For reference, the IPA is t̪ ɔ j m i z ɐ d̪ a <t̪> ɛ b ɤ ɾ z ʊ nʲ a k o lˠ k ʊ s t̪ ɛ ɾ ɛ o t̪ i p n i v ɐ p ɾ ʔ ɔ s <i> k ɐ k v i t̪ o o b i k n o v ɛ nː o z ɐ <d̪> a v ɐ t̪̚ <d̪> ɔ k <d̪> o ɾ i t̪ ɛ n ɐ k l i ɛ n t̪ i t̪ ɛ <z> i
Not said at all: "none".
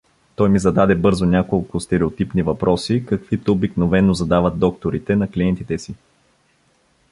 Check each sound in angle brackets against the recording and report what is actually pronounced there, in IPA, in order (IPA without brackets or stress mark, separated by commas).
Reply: d̪, i, d̪, d̪, t̪, s